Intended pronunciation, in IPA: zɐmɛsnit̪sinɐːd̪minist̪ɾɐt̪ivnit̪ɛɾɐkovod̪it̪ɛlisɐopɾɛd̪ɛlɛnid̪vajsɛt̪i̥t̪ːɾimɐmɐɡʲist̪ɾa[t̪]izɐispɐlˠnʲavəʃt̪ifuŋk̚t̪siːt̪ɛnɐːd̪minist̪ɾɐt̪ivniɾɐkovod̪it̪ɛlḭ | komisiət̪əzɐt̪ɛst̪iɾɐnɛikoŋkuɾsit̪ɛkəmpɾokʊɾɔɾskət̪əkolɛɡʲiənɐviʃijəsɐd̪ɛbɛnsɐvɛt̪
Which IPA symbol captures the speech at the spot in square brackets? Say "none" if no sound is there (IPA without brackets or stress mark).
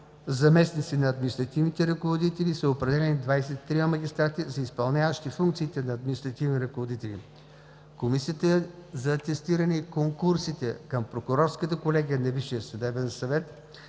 t̪